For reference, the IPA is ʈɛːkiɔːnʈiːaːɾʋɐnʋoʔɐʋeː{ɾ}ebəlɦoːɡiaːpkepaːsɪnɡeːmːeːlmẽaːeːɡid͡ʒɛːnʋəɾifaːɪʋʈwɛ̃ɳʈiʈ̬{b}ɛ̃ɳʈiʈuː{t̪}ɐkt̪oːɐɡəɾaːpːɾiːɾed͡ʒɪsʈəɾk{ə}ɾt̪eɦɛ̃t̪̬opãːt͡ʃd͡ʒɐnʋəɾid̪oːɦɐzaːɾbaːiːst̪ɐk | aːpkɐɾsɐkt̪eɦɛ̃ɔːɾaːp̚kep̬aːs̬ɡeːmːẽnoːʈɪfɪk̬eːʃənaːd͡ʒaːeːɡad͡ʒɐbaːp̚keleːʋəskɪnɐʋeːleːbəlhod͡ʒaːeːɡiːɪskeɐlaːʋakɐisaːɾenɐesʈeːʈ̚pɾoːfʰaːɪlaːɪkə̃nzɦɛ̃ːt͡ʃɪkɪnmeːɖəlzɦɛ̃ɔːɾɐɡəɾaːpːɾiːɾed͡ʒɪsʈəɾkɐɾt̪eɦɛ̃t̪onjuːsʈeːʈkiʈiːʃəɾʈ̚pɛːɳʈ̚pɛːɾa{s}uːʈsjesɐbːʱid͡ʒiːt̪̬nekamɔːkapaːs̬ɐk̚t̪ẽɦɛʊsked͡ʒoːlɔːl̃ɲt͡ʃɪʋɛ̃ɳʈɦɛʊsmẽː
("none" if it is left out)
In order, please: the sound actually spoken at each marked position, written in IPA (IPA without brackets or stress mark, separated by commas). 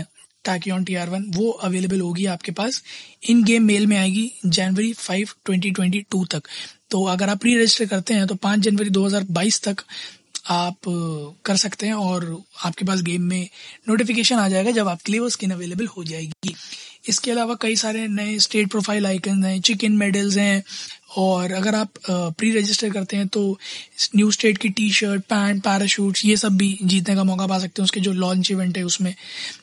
l, w, t̪, ɐ, ʃ